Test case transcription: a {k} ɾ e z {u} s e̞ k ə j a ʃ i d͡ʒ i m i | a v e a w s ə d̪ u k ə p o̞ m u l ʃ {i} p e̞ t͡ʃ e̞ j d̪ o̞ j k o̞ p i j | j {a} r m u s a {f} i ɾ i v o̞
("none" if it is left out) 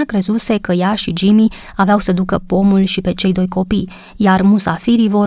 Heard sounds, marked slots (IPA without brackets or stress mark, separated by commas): k, u, i, a, f